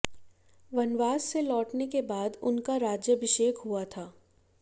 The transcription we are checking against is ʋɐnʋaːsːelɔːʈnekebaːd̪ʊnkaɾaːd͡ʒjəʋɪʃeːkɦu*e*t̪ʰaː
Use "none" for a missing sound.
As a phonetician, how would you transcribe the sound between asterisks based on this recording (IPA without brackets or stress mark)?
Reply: a